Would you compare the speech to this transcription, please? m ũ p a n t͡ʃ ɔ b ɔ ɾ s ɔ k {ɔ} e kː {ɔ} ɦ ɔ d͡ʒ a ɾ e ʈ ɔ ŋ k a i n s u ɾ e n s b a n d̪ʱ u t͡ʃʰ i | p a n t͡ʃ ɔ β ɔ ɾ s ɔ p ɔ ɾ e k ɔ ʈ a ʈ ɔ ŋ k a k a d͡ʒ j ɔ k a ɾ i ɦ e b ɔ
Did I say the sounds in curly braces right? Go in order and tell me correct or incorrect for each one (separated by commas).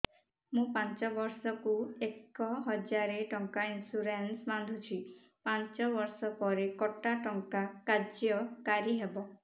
incorrect, correct